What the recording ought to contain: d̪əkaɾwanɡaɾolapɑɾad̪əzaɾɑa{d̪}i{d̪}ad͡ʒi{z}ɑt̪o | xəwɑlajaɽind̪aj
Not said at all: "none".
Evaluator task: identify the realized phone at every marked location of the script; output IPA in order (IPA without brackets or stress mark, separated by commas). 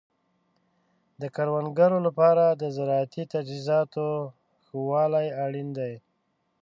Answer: t̪, t̪, z